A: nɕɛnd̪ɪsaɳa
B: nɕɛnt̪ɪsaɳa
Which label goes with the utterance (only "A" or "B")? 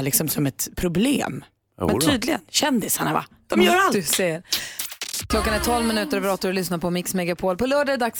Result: A